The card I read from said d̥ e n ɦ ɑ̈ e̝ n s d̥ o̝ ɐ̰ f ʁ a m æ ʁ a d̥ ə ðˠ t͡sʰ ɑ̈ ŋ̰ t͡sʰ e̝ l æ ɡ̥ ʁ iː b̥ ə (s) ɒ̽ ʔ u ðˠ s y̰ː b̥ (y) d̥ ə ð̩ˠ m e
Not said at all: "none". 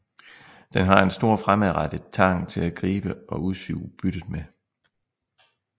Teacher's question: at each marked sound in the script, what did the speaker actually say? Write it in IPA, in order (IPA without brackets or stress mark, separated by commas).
none, y